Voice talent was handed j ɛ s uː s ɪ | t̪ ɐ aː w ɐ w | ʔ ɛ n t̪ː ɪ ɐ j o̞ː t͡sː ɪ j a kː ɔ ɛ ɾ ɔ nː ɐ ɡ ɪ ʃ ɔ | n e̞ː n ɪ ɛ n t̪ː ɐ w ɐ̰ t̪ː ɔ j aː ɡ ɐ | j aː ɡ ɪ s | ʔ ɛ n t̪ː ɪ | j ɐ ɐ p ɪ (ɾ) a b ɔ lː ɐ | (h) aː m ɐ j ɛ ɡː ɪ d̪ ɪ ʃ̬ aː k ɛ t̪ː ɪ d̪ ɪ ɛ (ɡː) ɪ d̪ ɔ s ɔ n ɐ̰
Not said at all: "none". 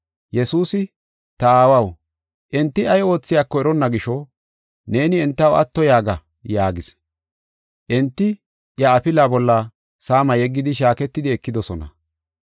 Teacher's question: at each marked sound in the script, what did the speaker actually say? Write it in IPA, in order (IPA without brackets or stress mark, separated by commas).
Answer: l, s, kː